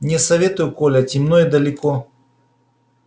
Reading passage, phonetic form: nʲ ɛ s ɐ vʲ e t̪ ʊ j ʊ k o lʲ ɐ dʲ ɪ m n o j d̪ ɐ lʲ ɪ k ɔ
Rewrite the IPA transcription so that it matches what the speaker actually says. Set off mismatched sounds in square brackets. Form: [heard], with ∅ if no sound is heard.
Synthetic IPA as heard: nʲ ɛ s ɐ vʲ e t̪ ʊ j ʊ k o lʲ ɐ [tʲ] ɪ m n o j d̪ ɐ lʲ ɪ k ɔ